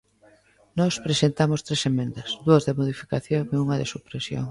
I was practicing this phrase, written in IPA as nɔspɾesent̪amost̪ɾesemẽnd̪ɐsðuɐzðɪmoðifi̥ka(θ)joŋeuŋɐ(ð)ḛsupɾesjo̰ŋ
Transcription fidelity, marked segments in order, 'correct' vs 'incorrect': correct, correct

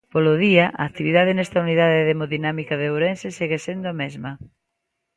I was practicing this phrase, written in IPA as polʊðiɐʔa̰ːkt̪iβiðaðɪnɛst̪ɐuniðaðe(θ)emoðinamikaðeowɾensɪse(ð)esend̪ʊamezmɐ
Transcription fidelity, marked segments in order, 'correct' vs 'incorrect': incorrect: ð, incorrect: ɣ

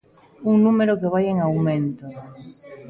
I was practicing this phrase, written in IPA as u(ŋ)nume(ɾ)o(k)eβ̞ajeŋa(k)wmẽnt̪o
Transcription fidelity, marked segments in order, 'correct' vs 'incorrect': correct, correct, correct, incorrect: none

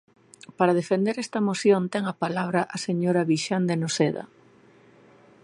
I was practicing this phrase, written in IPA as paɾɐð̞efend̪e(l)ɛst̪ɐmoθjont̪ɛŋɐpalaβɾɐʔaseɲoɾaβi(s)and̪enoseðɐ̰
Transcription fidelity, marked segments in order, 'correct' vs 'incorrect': incorrect: ɾ, incorrect: ʃ

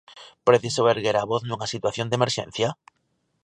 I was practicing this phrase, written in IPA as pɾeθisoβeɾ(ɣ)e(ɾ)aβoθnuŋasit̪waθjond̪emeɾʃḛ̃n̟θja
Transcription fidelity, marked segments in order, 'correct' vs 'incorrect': correct, correct

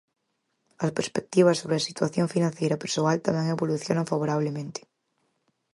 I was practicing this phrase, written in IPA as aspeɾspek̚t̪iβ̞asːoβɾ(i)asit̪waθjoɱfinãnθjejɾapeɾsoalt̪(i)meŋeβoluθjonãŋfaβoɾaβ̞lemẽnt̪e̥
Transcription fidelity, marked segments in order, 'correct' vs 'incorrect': incorrect: e, incorrect: a

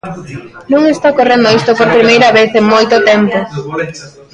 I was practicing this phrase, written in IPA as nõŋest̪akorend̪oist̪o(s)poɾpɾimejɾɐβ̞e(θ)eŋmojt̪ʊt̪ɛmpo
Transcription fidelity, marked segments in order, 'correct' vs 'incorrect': incorrect: none, correct

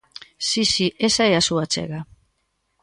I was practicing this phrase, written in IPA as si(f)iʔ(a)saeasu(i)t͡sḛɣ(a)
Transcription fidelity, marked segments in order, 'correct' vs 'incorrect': incorrect: s, incorrect: e, incorrect: a, correct

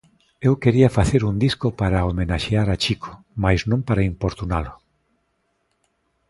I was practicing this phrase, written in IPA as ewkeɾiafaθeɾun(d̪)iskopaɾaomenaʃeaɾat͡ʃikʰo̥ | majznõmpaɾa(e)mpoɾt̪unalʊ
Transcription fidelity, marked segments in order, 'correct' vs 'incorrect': correct, incorrect: i

